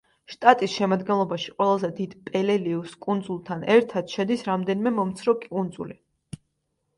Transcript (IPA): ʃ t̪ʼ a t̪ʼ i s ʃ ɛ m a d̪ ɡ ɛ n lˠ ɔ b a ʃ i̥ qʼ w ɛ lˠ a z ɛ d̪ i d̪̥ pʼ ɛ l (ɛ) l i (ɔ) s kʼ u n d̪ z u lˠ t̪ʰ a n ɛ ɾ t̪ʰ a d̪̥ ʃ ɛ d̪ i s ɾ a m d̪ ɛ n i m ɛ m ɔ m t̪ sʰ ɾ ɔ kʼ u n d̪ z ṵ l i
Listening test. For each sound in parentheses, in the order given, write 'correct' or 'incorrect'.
correct, incorrect

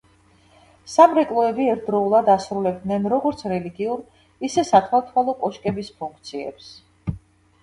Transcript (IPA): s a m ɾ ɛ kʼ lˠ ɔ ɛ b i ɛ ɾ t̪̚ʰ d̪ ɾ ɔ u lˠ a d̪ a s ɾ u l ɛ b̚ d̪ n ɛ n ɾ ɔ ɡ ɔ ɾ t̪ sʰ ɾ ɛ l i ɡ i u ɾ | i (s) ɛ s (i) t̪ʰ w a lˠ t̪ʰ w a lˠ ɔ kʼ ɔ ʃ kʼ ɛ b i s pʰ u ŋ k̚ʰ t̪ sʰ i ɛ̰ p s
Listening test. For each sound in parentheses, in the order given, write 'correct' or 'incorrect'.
correct, incorrect

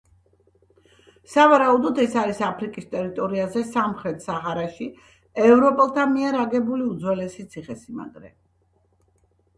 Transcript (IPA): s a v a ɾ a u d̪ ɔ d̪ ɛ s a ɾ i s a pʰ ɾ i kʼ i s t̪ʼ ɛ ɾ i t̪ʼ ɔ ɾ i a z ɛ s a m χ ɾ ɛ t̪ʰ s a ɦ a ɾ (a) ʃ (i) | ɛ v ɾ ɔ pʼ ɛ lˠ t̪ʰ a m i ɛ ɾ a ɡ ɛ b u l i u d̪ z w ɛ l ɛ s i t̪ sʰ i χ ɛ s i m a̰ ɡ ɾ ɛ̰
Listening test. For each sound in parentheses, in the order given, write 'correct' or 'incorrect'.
correct, correct

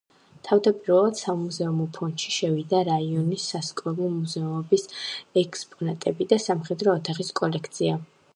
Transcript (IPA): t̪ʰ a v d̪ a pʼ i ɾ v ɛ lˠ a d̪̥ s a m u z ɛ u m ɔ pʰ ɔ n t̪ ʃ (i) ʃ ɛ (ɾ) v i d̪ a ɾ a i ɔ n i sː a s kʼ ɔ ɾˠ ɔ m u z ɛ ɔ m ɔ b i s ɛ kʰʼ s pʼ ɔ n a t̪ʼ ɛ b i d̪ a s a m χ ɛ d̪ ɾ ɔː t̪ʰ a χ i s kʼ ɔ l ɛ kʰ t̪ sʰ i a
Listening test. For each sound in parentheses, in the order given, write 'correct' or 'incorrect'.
correct, incorrect

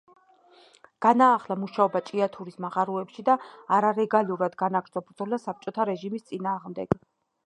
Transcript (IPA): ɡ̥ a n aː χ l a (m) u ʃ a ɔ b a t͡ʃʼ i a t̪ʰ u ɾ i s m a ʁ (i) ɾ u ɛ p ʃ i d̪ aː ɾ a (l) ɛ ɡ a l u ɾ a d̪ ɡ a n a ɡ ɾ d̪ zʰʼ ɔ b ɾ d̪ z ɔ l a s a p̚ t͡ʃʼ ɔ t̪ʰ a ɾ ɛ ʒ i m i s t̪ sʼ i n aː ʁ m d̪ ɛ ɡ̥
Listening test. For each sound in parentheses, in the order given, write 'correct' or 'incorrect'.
correct, incorrect, incorrect

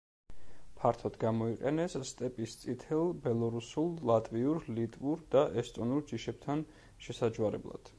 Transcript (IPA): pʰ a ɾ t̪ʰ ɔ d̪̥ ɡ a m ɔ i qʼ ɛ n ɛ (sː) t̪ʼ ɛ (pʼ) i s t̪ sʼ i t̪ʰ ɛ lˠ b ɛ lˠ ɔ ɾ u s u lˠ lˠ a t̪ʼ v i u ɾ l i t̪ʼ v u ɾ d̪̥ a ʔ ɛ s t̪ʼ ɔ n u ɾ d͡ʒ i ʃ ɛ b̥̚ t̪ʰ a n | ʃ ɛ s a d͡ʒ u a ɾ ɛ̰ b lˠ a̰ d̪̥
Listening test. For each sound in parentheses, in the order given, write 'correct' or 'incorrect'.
correct, correct

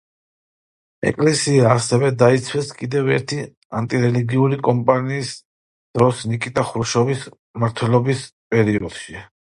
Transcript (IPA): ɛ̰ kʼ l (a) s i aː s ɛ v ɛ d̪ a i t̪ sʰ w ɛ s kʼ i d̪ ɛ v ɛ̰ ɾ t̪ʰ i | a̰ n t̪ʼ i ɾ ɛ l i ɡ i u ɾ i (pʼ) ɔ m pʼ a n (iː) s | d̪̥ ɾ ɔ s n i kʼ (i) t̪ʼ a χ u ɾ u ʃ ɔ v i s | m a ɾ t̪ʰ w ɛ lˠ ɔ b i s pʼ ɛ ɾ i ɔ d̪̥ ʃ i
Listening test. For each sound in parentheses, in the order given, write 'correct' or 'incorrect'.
incorrect, incorrect, correct, correct

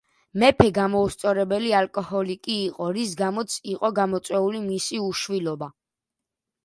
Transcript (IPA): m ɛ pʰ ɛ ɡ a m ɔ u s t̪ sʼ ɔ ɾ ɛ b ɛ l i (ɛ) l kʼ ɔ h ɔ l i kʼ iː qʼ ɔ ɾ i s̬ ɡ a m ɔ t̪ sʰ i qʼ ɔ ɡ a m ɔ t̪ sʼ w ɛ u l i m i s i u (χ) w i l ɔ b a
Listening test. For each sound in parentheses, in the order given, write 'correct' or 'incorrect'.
incorrect, incorrect

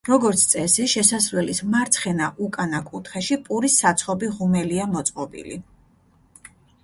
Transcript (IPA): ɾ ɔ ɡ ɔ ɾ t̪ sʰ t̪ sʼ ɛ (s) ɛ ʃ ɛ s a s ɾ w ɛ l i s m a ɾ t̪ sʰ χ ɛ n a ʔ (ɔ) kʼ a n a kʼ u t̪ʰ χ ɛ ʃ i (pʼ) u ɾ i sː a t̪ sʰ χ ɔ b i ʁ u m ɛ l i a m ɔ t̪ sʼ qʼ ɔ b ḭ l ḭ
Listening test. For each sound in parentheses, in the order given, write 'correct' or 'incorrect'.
correct, incorrect, correct

